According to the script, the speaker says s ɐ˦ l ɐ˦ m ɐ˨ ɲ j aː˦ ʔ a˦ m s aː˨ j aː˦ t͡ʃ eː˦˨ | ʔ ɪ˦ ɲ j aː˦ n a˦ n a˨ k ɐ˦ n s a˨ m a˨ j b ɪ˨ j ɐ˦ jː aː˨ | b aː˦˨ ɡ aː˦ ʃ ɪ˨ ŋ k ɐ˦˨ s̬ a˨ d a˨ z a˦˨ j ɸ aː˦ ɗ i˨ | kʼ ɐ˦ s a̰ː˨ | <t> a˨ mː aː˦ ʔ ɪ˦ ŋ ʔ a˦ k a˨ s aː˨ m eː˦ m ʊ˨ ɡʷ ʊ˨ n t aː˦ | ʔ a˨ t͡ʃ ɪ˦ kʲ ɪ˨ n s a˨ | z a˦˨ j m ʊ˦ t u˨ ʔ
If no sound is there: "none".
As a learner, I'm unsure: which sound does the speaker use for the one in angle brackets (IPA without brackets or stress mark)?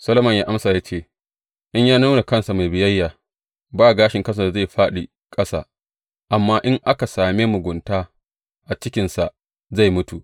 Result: ʔ